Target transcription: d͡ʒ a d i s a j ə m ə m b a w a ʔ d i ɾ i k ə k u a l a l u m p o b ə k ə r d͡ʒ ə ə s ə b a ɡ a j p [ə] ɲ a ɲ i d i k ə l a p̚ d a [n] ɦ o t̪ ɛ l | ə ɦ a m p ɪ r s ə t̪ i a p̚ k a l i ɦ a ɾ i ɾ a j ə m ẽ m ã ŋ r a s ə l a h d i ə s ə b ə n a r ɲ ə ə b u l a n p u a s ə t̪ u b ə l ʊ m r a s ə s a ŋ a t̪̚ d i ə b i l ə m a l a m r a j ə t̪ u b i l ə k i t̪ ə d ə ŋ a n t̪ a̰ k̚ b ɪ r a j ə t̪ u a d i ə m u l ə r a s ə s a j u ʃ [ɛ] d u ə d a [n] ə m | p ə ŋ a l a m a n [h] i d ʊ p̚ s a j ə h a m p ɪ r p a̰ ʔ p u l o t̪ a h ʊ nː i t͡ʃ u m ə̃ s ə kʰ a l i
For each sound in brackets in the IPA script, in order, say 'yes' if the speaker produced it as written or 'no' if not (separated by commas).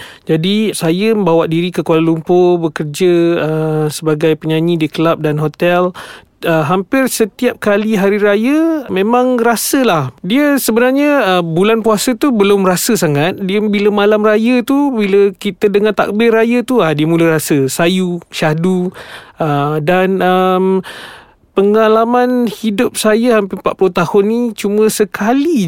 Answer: yes, yes, no, yes, yes